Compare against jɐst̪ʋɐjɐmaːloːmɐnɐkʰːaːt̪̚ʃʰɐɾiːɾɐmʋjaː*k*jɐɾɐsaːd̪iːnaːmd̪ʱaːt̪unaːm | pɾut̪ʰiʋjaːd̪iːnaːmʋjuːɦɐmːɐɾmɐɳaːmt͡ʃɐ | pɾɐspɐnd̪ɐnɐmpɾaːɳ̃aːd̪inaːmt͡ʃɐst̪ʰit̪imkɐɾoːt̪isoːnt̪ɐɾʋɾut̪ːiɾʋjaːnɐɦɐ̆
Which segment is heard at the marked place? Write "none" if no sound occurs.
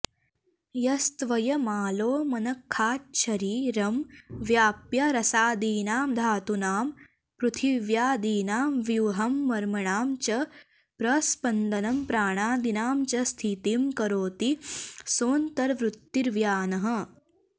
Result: p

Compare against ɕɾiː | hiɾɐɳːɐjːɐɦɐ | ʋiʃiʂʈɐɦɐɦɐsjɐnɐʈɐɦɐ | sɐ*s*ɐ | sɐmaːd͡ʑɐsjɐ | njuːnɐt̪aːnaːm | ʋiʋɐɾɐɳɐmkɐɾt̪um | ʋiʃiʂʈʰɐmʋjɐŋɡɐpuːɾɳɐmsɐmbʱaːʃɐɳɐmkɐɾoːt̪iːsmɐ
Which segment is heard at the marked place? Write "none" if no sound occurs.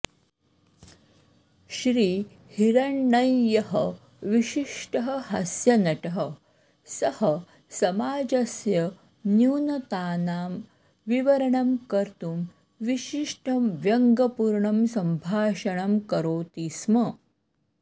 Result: h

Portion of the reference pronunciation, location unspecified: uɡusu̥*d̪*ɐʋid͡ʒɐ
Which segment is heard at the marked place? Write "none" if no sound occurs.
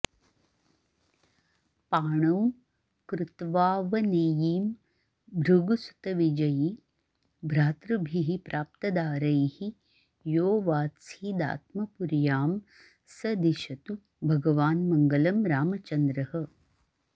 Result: t̪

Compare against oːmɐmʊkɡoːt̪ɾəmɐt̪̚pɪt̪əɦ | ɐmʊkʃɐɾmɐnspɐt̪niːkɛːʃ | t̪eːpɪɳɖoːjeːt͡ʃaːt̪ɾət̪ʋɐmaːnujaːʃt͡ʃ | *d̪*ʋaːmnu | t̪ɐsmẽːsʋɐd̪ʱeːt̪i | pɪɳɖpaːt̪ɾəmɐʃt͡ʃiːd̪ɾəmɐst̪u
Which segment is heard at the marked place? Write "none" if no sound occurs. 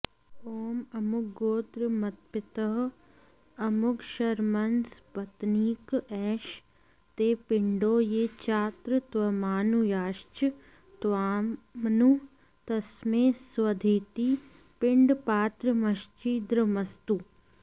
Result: t̪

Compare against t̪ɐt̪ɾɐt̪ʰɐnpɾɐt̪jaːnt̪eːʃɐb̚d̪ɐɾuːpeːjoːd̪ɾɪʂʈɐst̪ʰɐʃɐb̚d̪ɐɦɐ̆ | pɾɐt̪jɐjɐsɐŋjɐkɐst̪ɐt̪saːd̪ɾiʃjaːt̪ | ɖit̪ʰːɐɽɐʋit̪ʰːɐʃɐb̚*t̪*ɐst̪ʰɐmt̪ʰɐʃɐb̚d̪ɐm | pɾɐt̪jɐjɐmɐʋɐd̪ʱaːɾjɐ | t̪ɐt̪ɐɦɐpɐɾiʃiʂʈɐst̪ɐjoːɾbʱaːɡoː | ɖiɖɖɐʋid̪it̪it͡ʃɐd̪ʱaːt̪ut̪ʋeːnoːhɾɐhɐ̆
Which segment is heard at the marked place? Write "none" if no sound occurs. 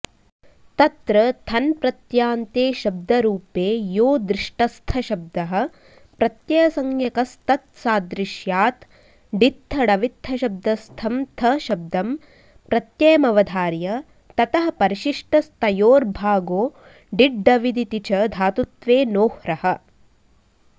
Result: d̪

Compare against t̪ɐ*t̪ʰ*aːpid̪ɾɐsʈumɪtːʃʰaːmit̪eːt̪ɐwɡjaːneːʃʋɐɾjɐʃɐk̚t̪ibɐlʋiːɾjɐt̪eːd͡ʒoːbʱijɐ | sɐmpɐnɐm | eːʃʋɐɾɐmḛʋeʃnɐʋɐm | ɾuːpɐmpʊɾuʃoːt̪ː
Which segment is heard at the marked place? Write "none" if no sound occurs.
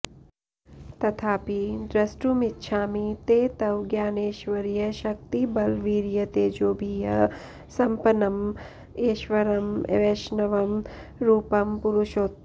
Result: t̪ʰ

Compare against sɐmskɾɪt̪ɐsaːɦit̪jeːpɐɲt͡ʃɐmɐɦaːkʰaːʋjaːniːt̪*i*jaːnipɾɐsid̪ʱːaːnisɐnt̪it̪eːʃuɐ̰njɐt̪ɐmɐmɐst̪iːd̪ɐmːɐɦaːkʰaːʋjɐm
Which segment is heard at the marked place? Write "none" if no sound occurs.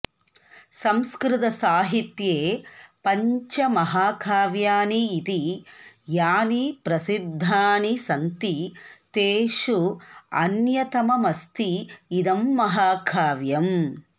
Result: i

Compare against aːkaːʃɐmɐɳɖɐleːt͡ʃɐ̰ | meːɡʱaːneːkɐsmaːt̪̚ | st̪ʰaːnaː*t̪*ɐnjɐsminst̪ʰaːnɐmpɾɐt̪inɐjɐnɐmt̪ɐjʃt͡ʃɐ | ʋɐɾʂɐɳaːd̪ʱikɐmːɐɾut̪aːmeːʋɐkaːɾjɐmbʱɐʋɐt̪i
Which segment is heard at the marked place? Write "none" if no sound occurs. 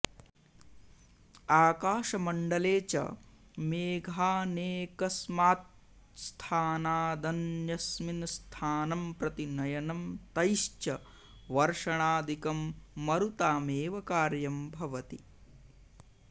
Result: d̪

